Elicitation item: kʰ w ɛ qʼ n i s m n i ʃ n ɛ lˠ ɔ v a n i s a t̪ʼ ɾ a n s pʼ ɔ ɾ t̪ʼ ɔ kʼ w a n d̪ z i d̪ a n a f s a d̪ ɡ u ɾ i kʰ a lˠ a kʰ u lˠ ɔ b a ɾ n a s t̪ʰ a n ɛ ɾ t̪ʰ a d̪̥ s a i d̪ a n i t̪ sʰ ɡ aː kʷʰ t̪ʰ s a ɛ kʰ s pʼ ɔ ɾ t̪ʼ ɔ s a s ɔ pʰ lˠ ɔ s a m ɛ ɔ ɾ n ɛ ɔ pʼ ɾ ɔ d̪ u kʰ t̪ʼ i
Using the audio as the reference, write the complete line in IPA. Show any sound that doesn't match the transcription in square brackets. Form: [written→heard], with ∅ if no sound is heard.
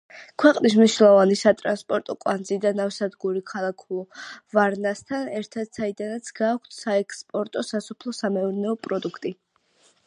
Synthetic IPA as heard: kʰ w ɛ qʼ n i s m n i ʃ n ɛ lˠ ɔ v a n i s a t̪ʼ ɾ a n s pʼ ɔ ɾ t̪ʼ ɔ kʼ w a n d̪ z i d̪ a n a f s a d̪ ɡ u ɾ i kʰ a lˠ a kʰ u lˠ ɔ [b→v] a ɾ n a s t̪ʰ a n ɛ ɾ t̪ʰ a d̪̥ s a i d̪ a n [i→a] t̪ sʰ ɡ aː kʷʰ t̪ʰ s a ɛ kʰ s pʼ ɔ ɾ t̪ʼ ɔ s a s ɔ pʰ lˠ ɔ s a m ɛ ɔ ɾ n ɛ ɔ pʼ ɾ ɔ d̪ u kʰ t̪ʼ i